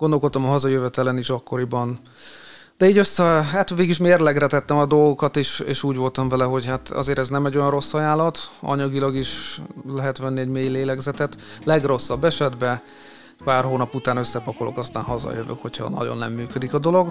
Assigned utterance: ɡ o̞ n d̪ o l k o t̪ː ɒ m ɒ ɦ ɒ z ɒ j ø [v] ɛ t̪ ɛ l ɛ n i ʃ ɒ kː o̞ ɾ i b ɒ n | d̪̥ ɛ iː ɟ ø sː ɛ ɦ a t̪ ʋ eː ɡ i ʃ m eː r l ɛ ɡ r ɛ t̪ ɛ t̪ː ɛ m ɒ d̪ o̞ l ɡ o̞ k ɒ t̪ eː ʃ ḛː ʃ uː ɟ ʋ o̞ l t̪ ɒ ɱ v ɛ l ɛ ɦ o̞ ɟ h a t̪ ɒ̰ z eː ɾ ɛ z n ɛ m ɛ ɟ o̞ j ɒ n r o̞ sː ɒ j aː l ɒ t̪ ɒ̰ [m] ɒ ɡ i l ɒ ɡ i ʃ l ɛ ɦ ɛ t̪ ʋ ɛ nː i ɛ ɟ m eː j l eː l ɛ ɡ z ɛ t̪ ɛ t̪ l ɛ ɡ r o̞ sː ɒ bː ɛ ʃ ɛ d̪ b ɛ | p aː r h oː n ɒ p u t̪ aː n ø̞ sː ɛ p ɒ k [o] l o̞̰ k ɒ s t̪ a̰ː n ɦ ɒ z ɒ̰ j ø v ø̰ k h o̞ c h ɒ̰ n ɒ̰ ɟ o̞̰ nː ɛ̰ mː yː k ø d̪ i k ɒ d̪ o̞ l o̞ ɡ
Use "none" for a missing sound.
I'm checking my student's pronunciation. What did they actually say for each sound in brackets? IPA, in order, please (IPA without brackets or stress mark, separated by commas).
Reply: v, ɲ, o